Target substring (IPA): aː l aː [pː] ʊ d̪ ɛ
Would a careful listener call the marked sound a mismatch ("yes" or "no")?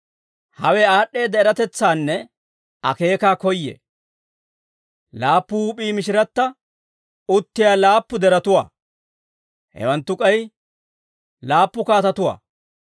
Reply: no